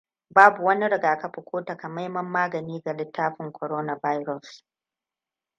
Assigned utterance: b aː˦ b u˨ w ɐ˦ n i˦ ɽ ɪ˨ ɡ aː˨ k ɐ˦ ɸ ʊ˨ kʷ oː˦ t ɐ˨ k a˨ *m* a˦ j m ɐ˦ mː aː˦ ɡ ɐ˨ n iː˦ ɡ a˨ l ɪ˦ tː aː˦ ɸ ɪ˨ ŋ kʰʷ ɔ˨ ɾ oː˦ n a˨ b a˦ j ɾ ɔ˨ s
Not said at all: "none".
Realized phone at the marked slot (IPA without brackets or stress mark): m